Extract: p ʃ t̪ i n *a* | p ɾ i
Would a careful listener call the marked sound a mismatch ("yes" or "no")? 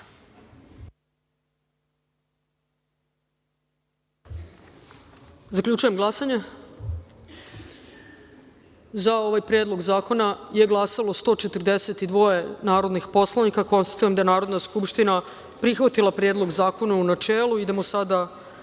no